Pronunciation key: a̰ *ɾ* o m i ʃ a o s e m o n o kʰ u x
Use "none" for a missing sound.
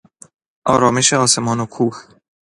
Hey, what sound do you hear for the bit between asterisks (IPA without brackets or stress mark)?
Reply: ɾ